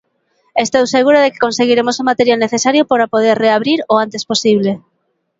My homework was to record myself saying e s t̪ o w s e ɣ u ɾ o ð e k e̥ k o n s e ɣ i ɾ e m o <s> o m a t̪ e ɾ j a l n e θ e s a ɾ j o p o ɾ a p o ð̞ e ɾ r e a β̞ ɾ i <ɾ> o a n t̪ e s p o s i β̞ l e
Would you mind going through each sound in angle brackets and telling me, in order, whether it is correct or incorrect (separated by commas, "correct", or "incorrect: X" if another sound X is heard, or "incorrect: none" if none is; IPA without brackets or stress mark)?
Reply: correct, correct